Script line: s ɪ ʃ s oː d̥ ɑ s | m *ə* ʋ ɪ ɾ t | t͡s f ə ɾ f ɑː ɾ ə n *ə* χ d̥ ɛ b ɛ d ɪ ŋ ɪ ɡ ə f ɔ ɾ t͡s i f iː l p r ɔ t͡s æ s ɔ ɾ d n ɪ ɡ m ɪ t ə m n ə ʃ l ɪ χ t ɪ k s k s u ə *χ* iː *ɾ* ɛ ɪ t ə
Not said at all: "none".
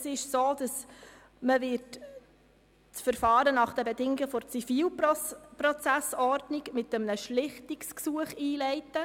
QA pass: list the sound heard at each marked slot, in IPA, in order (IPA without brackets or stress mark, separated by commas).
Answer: ə, ɑ, χ, l